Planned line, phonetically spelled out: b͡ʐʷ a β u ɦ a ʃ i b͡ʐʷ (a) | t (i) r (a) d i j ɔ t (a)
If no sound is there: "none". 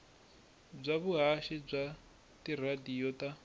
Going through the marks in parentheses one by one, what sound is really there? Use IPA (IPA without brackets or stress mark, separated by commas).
a, i, a, a